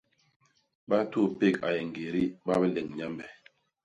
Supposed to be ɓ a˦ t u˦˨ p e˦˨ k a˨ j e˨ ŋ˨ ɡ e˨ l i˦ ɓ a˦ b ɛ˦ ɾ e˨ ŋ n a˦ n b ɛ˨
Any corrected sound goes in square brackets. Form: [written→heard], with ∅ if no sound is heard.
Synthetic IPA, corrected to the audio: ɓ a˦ t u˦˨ p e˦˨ k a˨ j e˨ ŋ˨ ɡ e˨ [l→ɾ] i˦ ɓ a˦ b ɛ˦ [ɾ→l] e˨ ŋ [n→ɲ] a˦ [n→m] b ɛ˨